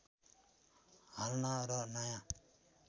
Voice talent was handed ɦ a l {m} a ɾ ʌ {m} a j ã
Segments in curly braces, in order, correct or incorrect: incorrect: n, incorrect: n

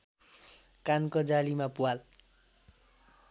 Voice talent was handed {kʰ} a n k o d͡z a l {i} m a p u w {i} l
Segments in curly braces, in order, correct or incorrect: incorrect: k, correct, incorrect: a

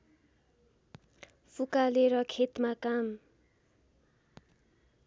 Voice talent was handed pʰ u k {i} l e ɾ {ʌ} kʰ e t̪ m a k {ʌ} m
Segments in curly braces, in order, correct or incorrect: incorrect: a, correct, incorrect: a

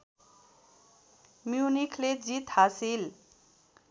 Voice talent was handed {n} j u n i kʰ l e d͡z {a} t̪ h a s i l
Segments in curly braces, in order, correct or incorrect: incorrect: m, incorrect: i

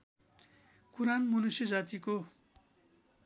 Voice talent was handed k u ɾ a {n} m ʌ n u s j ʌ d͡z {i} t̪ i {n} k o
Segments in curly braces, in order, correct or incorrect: correct, incorrect: a, incorrect: none

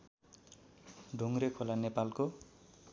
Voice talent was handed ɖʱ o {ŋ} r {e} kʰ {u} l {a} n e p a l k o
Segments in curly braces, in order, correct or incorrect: correct, correct, incorrect: o, correct

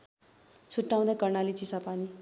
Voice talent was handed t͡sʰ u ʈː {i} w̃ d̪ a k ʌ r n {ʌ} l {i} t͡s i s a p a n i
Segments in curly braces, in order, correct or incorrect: incorrect: a, incorrect: a, correct

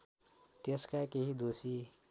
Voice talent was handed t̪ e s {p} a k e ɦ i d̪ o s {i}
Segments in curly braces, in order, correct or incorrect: incorrect: k, correct

